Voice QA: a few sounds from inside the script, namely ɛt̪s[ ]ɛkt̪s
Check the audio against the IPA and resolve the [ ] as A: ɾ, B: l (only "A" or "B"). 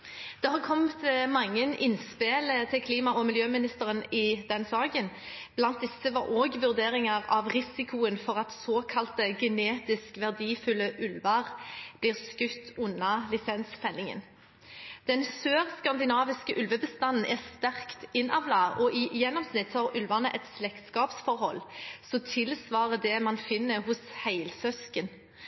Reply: B